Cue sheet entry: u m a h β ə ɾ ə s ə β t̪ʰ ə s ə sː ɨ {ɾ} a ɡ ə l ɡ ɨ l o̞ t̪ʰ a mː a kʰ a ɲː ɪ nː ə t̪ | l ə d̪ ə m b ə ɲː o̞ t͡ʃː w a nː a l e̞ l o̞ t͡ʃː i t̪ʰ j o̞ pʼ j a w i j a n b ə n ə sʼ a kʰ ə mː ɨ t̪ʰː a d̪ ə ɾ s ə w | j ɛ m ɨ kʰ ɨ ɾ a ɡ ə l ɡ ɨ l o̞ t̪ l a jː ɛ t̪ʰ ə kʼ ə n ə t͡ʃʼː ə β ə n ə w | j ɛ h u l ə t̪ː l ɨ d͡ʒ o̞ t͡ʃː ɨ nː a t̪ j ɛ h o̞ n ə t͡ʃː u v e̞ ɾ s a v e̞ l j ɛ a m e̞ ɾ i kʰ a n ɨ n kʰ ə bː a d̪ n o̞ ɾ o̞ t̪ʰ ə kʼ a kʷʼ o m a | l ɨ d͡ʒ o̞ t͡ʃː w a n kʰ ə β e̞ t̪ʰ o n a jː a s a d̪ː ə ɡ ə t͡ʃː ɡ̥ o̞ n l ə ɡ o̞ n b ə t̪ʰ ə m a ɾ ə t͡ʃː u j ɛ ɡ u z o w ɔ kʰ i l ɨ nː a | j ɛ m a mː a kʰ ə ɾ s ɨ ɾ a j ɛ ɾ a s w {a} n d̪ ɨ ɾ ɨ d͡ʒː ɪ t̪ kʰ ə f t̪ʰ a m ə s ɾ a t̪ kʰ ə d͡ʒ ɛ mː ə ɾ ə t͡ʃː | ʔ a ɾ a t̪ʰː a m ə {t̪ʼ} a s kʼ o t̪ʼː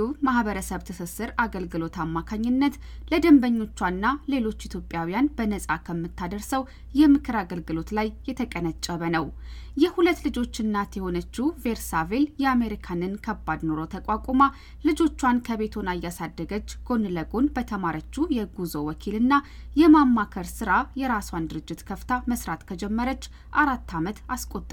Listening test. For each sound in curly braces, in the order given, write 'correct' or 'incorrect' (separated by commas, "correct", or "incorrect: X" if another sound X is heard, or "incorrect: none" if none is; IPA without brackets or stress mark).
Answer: correct, correct, incorrect: t̪